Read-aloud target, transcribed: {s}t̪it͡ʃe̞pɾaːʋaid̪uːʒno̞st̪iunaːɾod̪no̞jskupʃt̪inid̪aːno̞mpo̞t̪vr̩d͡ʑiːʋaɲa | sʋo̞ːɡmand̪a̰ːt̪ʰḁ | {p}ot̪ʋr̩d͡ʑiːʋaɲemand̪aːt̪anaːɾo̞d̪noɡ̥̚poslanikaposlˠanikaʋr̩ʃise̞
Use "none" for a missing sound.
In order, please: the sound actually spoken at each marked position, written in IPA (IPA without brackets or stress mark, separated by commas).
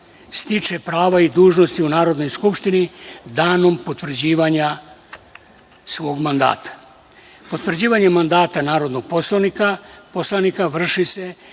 s, p